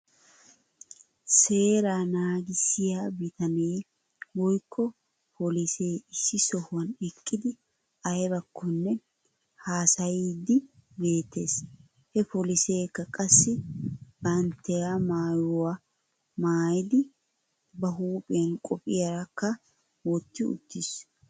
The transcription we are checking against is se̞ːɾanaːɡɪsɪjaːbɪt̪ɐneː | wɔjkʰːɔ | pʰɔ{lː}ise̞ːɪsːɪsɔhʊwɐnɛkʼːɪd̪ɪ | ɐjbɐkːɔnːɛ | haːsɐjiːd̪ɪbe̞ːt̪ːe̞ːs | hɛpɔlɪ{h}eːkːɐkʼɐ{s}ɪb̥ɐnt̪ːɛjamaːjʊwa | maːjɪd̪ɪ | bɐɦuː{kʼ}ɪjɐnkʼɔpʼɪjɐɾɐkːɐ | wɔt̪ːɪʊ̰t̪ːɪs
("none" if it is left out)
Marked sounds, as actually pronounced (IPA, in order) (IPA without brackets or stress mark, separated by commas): l, s, sː, pʼ